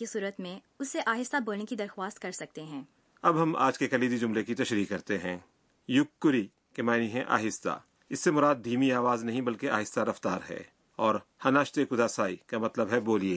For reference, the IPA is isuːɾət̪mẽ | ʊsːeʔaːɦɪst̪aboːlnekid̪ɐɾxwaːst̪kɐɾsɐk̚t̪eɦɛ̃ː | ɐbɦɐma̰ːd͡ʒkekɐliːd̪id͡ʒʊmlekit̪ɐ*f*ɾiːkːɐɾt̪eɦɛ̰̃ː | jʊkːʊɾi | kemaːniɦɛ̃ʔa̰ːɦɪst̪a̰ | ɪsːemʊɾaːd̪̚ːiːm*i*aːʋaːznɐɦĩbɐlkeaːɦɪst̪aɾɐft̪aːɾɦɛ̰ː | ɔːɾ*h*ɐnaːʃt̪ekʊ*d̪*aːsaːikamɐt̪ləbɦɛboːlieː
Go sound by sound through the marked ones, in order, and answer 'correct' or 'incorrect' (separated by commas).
incorrect, correct, correct, correct